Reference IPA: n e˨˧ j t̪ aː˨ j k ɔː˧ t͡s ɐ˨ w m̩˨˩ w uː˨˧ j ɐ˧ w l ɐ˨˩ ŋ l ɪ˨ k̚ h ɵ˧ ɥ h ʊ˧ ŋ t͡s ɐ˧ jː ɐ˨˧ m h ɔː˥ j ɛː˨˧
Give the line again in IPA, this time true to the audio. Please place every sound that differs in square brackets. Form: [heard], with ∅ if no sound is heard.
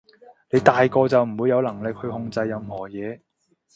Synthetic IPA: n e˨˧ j t̪ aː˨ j k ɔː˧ t͡s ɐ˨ w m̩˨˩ w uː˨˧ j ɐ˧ w l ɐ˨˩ ŋ l ɪ˨ k̚ h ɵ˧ ɥ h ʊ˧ ŋ t͡s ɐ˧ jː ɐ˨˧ m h [ɔː˨˩] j ɛː˨˧